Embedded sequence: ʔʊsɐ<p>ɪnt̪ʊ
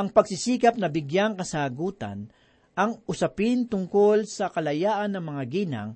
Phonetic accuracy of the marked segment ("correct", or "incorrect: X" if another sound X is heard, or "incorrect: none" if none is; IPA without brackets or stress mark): correct